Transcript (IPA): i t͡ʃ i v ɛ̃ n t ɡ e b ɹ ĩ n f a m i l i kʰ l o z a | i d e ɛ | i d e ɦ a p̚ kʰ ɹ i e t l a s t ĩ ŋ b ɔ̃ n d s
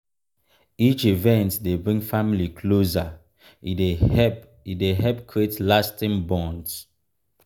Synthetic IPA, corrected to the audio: i t͡ʃ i v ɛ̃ n t d e b ɹ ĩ ŋ f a m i l i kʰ l o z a | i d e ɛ | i d e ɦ ɛ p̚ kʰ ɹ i e t l a s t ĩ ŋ b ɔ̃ n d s